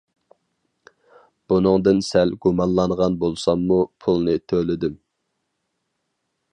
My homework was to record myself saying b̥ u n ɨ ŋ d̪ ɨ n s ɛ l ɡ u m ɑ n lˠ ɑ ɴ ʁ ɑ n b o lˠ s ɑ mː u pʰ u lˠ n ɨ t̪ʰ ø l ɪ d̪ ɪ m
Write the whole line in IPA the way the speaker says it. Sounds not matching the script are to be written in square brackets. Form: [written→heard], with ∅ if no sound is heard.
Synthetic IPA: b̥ u n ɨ ŋ d̪ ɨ n s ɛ l ɡ u m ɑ n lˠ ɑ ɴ ʁ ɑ n b o lˠ s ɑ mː u pʰ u lˠ n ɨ t̪ʰ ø l ɪ d̪ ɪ m